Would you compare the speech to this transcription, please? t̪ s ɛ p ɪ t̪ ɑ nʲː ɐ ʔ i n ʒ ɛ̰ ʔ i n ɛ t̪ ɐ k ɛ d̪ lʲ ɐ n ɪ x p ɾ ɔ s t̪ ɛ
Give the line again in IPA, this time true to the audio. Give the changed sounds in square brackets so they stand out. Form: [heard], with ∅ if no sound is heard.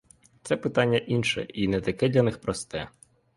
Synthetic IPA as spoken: t̪ s ɛ p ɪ t̪ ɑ nʲː ɐ ʔ i n [ʃ] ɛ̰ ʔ i n ɛ t̪ ɐ k ɛ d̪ lʲ ɐ n ɪ x p ɾ ɔ s t̪ ɛ